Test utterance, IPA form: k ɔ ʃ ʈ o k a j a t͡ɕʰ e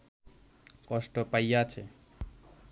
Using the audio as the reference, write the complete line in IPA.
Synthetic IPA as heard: k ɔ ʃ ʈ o p a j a t͡ɕʰ e

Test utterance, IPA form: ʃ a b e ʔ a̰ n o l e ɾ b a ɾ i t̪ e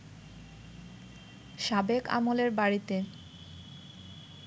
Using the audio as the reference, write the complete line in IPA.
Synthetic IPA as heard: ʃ a b e k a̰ m o l e ɾ b a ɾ i t̪ e

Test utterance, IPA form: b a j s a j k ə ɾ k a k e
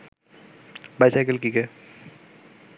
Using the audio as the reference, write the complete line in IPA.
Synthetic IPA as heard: b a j s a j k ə l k i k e

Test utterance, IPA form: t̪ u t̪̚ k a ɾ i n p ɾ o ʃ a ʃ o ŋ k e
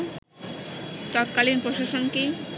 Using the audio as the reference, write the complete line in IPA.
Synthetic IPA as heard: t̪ ɔ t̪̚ k a l i n p ɾ o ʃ a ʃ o n k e

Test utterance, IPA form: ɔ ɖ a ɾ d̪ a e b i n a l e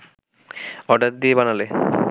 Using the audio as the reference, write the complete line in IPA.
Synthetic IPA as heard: ɔ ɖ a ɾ d̪ i e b a n a l e

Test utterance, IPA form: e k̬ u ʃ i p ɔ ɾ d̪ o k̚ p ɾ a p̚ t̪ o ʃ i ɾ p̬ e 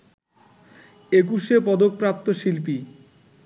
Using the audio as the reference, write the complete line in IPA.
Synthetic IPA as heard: e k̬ u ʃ e p ɔ d̪ o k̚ p ɾ a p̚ t̪ o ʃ i l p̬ i

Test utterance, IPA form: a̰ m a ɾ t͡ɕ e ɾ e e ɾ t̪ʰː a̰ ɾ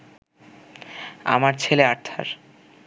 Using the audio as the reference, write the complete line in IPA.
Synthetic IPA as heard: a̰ m a ɾ t͡ɕʰ e l e a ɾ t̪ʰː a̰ ɾ

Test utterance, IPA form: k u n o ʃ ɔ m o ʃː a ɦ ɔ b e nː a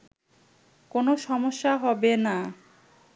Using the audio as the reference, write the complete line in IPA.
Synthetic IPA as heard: k o n o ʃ ɔ m o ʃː a ɦ ɔ b e n a

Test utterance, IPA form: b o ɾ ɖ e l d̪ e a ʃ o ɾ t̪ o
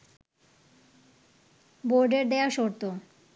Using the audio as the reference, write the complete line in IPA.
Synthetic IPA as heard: b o ɾ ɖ e ɾ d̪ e a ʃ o ɾ t̪ o

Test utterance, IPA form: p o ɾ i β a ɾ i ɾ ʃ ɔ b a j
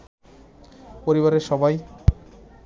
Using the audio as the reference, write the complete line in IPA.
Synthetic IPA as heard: p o ɾ i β a ɾ e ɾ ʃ ɔ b a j

